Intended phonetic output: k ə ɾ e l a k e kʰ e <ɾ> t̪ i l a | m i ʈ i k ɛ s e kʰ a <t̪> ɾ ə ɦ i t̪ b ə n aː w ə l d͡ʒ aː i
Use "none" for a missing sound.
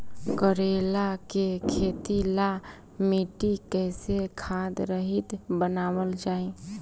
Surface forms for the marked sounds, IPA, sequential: none, d̪

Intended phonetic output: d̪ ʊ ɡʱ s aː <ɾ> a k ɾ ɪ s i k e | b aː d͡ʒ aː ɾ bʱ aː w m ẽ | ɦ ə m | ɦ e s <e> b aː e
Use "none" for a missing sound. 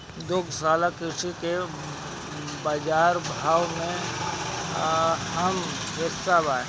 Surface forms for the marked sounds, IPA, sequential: l, a

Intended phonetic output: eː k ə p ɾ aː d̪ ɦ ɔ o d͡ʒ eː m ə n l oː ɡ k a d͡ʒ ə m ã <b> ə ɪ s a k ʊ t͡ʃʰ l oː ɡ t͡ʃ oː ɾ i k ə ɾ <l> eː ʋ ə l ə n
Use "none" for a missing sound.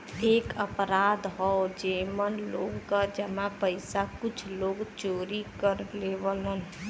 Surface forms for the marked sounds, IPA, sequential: p, l

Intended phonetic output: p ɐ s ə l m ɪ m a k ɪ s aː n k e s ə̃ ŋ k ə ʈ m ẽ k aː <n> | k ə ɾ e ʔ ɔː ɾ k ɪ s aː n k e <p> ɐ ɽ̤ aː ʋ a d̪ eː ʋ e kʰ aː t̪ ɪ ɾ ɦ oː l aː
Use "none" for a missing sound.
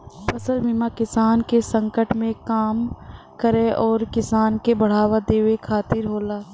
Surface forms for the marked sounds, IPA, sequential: m, b

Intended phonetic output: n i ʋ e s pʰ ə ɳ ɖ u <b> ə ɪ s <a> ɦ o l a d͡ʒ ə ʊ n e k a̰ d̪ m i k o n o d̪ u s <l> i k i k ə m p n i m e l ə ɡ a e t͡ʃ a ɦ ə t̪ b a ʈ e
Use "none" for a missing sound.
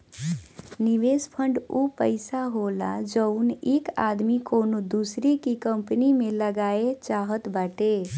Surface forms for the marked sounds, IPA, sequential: p, a, ɾ

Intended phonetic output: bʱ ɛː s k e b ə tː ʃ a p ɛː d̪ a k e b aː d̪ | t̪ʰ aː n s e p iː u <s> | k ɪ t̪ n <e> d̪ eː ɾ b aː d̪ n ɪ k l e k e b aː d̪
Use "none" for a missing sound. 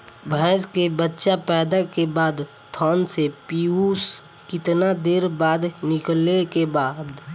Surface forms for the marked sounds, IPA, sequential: s, a

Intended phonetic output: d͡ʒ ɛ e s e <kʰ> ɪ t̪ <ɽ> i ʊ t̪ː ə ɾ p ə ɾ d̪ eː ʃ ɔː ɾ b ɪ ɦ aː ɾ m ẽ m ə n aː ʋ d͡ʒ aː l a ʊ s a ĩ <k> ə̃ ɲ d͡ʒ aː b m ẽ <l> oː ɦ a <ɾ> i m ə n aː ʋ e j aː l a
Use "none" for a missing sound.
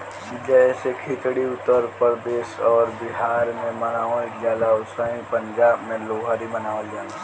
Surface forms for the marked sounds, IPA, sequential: kʰ, ɽ, p, l, ɾ

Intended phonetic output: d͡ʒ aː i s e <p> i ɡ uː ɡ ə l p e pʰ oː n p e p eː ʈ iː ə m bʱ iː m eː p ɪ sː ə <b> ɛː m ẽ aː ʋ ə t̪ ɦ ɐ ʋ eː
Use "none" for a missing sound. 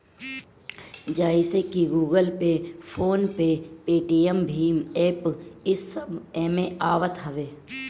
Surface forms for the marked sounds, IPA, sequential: k, b

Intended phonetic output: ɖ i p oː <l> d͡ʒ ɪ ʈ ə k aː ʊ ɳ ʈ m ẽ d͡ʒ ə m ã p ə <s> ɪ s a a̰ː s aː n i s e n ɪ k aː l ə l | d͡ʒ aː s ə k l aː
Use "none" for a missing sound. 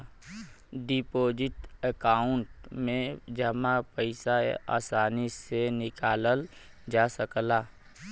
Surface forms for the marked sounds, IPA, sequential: none, none

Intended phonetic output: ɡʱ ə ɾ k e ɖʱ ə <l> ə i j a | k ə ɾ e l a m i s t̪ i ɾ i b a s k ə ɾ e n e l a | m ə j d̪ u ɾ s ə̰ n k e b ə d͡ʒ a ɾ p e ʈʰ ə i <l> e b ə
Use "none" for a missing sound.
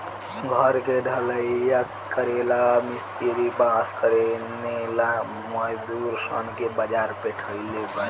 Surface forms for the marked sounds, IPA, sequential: l, l

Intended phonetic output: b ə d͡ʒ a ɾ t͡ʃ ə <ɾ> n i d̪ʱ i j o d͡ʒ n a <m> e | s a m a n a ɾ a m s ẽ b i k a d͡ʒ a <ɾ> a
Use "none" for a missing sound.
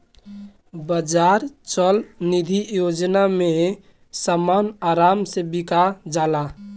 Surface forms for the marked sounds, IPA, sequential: l, m, l

